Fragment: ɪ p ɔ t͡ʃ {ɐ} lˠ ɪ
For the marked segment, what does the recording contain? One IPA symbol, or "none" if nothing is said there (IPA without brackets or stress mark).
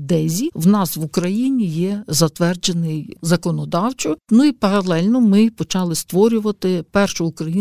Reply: ɑ